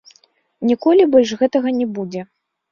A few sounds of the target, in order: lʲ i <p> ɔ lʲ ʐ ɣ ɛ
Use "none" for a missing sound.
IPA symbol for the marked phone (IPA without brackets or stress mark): b